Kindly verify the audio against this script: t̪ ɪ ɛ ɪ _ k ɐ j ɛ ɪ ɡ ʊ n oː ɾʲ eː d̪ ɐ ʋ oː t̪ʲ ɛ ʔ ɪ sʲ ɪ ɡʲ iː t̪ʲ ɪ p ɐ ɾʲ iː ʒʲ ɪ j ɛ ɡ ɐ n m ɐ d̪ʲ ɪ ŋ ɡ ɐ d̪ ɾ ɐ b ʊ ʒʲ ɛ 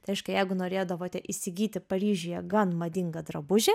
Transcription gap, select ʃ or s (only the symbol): ʃ